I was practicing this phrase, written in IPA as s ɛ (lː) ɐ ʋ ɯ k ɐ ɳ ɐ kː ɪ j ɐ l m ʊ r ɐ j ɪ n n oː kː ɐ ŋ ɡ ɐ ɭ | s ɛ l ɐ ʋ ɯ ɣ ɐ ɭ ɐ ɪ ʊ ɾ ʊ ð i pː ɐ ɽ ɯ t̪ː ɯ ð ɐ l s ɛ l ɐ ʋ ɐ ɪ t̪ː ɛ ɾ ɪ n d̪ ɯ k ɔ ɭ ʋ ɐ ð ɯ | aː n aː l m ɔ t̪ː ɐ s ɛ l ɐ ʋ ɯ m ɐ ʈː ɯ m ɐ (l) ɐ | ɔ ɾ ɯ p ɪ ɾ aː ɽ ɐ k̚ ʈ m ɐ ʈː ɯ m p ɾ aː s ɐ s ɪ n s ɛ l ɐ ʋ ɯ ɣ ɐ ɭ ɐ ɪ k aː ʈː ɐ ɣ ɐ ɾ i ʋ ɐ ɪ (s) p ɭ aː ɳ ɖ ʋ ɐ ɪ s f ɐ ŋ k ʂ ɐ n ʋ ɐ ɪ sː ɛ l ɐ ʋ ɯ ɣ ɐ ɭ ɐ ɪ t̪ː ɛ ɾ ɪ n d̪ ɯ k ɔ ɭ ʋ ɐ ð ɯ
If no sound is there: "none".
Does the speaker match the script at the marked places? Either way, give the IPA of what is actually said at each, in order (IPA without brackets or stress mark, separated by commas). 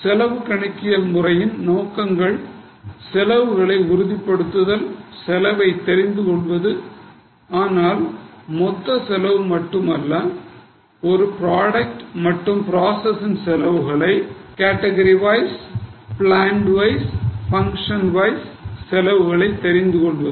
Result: l, lː, s